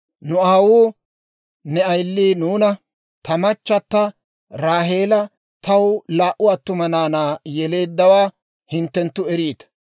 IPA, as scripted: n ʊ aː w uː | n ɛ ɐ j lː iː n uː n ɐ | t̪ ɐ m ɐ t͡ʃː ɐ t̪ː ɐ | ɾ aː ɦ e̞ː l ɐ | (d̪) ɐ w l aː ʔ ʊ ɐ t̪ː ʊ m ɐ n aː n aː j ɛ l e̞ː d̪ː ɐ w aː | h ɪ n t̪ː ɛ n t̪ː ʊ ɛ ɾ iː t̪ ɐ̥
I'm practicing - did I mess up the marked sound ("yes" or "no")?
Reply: yes